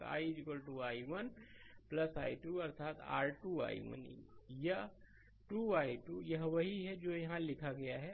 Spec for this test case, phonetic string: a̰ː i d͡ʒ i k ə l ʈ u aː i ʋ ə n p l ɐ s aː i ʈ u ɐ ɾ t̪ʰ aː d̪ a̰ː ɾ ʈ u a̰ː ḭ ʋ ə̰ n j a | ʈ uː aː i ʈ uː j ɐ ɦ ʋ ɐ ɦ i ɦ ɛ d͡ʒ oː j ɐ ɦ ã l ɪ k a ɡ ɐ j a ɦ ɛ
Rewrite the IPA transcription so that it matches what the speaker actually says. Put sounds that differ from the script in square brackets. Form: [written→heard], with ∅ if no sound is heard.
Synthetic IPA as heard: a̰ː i d͡ʒ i k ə l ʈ u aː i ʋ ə n p l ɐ s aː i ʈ u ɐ ɾ t̪ʰ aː [d̪→t̪] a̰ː ɾ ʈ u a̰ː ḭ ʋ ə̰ n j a | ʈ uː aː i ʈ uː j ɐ ɦ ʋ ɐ ɦ i ɦ ɛ d͡ʒ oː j ɐ ɦ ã l ɪ [k→kʰ] a ɡ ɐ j a ɦ ɛ